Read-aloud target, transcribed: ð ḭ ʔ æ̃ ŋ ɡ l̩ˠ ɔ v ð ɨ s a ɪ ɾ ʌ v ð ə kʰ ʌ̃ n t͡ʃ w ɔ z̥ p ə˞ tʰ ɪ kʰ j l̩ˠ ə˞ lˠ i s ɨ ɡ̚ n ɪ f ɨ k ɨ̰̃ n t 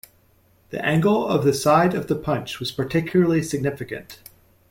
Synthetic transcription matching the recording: ð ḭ ʔ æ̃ ŋ ɡ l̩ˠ ʌ v ð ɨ s a ɪ ɾ ʌ v ð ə pʰ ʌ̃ n t͡ʃ w ʌ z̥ p ə˞ tʰ ɪ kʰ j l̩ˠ ə˞ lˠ i s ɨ ɡ̚ n ɪ f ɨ k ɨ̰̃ n t